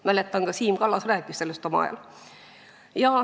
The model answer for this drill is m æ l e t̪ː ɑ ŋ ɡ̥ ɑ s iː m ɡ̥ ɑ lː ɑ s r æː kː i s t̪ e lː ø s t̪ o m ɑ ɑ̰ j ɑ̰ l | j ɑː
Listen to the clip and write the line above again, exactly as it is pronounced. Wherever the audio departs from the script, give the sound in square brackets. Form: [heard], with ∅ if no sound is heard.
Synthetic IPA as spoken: m æ l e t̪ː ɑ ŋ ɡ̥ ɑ s iː m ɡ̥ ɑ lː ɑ s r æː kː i s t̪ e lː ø s t̪ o m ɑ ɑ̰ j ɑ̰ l | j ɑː